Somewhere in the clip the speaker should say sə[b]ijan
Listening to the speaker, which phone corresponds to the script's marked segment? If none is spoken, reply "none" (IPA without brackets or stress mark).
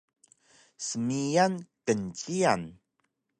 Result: m